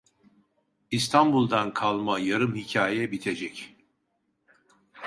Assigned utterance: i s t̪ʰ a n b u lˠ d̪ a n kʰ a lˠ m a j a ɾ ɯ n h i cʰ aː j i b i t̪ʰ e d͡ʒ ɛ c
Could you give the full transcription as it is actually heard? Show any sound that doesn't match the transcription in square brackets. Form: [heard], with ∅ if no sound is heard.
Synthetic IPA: i s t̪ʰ a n b u lˠ d̪ a n kʰ a lˠ m a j a ɾ ɯ [m] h i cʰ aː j [ɛ] b i t̪ʰ e d͡ʒ ɛ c